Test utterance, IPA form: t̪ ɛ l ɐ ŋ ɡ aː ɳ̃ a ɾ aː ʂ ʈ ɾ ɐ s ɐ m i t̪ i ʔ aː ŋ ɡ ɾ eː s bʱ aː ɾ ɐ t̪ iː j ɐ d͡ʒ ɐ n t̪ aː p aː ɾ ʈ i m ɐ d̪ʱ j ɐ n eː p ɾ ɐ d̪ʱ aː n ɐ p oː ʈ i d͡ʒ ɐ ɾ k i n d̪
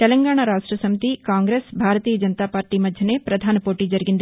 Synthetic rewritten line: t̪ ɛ l ɐ ŋ ɡ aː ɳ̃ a ɾ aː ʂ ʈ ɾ ɐ s ɐ m i t̪ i k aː ŋ ɡ ɾ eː s bʱ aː ɾ ɐ t̪ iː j ɐ d͡ʒ ɐ n t̪ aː p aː ɾ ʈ i m ɐ d̪ʱ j ɐ n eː p ɾ ɐ d̪ʱ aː n ɐ p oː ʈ i d͡ʒ ɐ ɾ ɡ i n d̪